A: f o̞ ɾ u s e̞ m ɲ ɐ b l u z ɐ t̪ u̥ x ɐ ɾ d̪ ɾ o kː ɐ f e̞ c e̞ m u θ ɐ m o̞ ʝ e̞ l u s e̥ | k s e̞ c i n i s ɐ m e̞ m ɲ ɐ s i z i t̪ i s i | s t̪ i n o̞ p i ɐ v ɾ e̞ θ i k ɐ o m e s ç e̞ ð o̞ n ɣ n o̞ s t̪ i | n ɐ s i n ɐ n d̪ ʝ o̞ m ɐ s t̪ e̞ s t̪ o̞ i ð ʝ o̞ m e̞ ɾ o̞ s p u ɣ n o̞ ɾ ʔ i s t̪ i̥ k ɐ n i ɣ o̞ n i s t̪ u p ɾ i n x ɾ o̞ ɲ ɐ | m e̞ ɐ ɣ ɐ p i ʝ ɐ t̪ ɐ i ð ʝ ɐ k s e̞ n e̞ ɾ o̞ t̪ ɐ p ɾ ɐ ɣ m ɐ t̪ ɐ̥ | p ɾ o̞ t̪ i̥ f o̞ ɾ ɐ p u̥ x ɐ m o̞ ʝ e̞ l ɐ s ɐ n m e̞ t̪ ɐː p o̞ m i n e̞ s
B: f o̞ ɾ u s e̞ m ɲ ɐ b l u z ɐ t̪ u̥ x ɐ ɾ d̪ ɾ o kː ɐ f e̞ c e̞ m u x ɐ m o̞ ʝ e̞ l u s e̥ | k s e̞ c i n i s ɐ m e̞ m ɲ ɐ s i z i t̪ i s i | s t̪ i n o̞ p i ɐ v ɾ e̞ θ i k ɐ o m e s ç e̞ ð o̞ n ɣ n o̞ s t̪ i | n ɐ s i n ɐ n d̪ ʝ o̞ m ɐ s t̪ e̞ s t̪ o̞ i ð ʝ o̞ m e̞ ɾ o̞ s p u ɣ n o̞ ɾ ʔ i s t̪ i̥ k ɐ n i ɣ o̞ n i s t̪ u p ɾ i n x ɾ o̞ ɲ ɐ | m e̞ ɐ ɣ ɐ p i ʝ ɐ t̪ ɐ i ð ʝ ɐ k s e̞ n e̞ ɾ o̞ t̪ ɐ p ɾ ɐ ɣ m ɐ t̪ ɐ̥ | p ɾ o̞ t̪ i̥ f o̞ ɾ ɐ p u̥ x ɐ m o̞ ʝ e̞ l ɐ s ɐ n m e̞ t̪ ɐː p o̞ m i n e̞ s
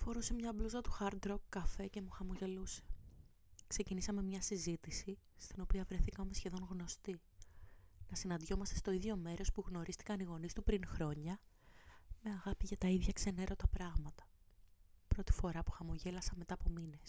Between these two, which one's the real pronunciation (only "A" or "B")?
B